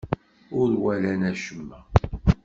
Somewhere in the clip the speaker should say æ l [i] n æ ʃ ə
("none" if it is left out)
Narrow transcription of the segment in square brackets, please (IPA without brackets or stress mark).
æ